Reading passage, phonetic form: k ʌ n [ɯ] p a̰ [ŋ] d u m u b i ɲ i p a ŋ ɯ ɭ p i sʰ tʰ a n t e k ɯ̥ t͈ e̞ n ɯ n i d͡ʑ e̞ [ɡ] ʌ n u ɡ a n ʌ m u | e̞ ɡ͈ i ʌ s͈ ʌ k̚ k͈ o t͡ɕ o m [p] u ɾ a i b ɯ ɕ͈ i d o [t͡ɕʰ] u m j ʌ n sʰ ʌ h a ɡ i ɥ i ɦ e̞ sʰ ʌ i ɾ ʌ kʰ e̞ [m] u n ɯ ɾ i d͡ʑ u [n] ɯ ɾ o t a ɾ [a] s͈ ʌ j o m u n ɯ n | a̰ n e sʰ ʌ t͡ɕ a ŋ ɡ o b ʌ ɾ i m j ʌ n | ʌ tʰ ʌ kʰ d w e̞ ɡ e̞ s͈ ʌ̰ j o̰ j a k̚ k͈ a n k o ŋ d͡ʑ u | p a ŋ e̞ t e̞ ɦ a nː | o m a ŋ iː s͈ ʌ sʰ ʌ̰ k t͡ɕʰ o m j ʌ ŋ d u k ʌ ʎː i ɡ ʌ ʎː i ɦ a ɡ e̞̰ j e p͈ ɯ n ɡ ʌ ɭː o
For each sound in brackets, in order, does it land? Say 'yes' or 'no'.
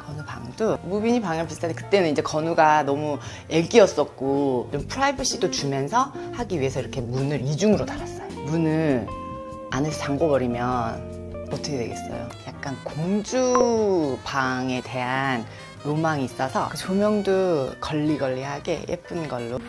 no, yes, no, no, no, yes, no, yes

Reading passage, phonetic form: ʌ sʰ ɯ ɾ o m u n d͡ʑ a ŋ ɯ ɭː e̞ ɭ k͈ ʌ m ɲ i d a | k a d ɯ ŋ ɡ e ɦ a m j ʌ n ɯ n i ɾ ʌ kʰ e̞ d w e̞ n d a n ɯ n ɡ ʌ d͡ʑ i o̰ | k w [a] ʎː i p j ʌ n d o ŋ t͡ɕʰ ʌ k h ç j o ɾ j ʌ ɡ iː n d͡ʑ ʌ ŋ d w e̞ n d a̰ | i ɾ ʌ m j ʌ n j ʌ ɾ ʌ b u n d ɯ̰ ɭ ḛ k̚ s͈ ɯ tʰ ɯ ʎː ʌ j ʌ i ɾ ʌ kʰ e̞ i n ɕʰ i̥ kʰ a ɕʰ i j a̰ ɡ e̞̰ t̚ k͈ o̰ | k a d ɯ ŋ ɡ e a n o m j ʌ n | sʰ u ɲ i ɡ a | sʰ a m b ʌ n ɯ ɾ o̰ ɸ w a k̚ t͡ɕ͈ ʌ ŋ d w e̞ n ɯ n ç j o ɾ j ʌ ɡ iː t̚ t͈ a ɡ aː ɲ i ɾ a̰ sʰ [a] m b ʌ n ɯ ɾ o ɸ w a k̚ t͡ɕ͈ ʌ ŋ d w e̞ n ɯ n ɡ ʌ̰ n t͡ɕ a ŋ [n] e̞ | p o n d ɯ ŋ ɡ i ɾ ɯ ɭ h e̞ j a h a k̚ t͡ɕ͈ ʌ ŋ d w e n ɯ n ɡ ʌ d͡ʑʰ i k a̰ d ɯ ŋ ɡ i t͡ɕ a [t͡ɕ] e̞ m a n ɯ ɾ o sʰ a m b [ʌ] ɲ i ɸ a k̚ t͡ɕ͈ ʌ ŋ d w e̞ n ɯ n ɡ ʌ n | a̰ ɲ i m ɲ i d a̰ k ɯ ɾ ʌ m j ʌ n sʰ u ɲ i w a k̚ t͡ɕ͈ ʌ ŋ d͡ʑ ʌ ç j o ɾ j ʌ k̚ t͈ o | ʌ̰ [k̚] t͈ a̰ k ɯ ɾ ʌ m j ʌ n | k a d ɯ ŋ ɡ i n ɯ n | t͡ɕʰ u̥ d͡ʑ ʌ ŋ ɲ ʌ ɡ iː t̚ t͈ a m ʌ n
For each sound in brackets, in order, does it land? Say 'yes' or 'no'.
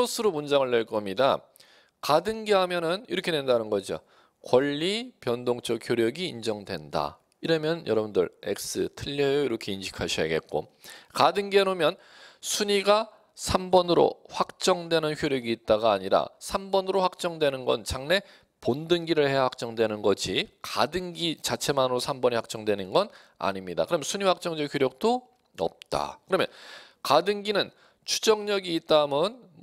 no, yes, yes, no, yes, no

